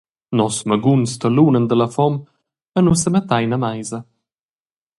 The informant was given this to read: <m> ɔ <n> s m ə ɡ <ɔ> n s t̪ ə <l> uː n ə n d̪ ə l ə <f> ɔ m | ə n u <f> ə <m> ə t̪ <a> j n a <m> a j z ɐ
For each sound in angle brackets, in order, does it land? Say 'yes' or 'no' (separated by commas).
no, no, no, yes, yes, no, yes, yes, yes